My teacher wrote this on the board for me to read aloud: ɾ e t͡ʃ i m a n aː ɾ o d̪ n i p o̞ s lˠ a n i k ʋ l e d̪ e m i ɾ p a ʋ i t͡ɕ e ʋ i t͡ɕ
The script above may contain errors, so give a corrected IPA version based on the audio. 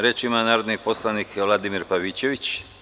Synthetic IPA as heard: ɾ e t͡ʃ i m a n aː ɾ o d̪ n i p o̞ s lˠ a n i k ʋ l a d̪ i m i ɾ p a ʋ i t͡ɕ e ʋ i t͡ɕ